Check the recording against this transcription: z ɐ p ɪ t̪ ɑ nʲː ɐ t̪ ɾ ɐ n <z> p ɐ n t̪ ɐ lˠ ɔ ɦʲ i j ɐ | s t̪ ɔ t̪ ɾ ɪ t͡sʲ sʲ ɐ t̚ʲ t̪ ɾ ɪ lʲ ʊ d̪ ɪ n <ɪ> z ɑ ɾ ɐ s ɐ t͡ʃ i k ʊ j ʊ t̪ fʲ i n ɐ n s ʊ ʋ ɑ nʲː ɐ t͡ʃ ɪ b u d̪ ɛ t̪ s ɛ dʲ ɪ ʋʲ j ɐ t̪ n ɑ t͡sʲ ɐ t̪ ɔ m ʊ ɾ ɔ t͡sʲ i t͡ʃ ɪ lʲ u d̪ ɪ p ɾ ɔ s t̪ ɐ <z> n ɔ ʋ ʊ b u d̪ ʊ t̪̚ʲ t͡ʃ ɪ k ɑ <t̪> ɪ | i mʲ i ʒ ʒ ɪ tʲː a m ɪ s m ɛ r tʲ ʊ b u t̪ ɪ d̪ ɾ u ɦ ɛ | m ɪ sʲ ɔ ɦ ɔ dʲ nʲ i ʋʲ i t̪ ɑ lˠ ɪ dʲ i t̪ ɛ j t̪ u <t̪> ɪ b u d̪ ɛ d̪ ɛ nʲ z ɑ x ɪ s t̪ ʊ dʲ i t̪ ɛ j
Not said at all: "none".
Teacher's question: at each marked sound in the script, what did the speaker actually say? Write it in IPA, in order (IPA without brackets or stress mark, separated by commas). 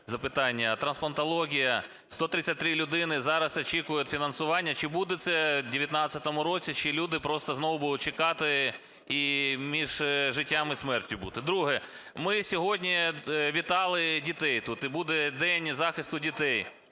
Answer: s, ɪ, z, t̪, t̪